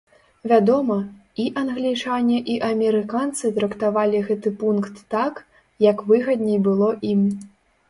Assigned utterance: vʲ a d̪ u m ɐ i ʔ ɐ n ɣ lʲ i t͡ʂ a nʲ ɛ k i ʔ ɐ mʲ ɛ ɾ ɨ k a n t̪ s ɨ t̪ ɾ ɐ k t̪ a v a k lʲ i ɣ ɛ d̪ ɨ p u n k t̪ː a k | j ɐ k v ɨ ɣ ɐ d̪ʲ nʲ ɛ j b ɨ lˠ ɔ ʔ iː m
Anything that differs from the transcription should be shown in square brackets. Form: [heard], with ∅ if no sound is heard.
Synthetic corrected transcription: vʲ a d̪ [ɔ] m ɐ i ʔ ɐ n ɣ lʲ i t͡ʂ a nʲ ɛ [ʔ] i ʔ ɐ mʲ ɛ ɾ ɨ k a n t̪ s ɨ t̪ ɾ ɐ k t̪ a v a [∅] lʲ i ɣ ɛ [t̪] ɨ p u n k t̪ː a k | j ɐ k v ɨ ɣ ɐ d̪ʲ nʲ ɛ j b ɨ lˠ ɔ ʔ [i] m

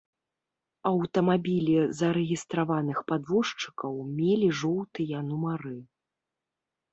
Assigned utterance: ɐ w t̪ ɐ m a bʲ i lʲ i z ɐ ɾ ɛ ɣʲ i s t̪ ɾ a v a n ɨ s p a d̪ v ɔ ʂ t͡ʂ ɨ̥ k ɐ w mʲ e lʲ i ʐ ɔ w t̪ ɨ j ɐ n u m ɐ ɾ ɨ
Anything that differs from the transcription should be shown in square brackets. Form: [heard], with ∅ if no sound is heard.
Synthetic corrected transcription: ɐ w t̪ ɐ m a bʲ i lʲ i z ɐ ɾ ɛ ɣʲ i s t̪ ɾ a v a n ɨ [x] p a d̪ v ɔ ʂ t͡ʂ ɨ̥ k ɐ w mʲ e lʲ i ʐ ɔ w t̪ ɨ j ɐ n u m [a] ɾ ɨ

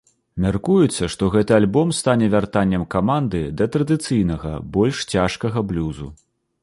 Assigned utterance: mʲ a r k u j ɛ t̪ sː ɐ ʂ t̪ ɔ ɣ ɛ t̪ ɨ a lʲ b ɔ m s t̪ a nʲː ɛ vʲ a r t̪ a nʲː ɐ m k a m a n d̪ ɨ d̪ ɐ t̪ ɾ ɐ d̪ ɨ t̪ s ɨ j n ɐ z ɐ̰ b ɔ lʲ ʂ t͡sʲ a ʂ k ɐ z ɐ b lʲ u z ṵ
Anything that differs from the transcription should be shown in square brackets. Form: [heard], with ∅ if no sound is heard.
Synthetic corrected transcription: mʲ a r k u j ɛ t̪ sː ɐ ʂ t̪ ɔ ɣ ɛ t̪ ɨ a lʲ b ɔ m s t̪ a [nʲ] ɛ vʲ a r t̪ a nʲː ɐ m k a m a n d̪ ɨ d̪ ɐ t̪ ɾ ɐ d̪ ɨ t̪ s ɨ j n ɐ [ɣ] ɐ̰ b ɔ lʲ ʂ t͡sʲ a ʂ k ɐ [ɣ] ɐ b lʲ u z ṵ

